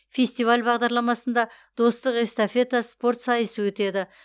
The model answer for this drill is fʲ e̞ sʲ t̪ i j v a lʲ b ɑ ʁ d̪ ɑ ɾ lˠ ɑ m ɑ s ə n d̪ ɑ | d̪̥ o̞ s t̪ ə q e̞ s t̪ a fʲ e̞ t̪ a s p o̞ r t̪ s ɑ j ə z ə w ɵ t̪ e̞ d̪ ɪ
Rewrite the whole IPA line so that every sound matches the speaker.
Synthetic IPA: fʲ e̞ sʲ t̪ i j v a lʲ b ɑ ʁ d̪ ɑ ɾ lˠ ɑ m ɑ s ə n d̪ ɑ | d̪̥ o̞ s t̪ ə q e̞ s t̪ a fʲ e̞ t̪ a s p o̞ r t̪ s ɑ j ə s ə w ɵ t̪ e̞ d̪ ɪ